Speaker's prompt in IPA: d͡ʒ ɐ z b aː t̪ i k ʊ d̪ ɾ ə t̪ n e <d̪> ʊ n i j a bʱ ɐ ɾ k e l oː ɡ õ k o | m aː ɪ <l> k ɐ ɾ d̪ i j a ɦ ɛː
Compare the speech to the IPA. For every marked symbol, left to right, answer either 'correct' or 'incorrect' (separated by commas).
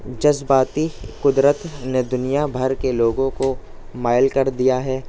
correct, correct